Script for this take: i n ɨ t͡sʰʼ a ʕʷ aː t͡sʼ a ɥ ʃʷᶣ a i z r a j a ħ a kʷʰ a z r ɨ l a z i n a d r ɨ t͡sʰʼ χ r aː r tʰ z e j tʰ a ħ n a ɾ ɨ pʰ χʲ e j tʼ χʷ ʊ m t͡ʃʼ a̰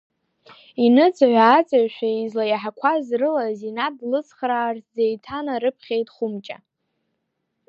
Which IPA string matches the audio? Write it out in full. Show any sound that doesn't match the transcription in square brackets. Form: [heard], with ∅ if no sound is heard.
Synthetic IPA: i n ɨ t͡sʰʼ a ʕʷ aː t͡sʼ a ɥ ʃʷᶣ a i z [l] a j a ħ a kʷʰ a z r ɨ l a z i n a d [l] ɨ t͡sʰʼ χ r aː r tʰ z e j tʰ a [∅] n a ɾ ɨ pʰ χʲ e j tʼ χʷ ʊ m t͡ʃʼ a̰